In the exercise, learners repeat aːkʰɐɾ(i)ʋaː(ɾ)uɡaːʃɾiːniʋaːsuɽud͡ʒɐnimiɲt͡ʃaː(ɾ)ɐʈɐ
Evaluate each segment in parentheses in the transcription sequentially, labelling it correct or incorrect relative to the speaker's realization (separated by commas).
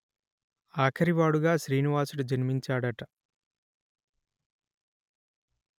correct, incorrect, incorrect